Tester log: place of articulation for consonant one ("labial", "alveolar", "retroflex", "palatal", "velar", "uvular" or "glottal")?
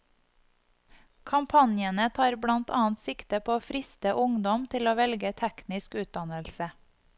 velar